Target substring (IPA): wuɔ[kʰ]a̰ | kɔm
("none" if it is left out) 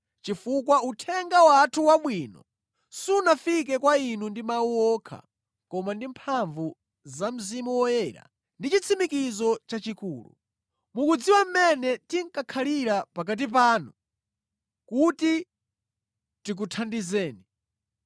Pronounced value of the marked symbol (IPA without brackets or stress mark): kʰ